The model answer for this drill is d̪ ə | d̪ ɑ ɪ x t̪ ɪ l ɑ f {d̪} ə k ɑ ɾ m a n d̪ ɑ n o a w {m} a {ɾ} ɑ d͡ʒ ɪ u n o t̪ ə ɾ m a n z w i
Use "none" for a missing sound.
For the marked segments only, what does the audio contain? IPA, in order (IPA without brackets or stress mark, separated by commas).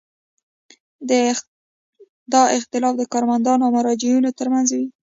d̪, m, ɾ